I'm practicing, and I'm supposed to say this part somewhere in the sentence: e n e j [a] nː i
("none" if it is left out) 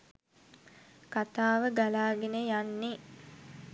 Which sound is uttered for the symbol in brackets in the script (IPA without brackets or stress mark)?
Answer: a